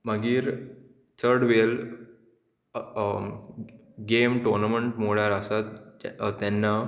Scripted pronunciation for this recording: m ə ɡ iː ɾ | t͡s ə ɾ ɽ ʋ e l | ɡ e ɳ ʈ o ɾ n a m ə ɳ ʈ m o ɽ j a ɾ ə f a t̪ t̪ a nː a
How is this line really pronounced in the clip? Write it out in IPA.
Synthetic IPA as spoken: m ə ɡ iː ɾ | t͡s ə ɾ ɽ ʋ e l | ɡ e m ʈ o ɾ n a m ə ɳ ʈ m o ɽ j a ɾ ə s a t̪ t̪ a nː a